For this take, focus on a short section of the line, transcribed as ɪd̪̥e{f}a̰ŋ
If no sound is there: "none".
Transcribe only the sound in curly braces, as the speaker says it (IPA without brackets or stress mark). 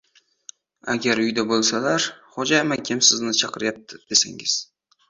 s